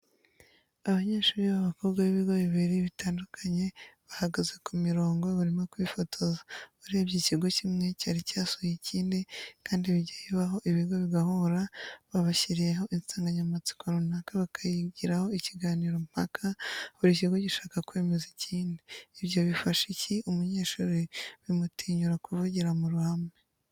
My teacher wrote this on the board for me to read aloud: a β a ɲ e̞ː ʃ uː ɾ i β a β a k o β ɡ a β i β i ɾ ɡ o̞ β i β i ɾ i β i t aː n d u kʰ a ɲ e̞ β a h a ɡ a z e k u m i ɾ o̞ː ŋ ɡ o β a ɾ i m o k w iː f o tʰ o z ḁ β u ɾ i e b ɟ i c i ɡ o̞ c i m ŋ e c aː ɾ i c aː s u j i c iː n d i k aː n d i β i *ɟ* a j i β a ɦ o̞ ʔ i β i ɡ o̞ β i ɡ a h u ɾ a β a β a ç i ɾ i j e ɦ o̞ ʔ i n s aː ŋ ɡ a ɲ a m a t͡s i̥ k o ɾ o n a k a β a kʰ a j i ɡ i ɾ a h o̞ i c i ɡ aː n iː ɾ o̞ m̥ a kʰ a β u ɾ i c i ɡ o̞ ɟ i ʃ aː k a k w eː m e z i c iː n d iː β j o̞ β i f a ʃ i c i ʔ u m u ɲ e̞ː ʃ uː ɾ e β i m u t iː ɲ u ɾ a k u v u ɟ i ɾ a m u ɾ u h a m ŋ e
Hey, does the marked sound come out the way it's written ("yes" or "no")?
yes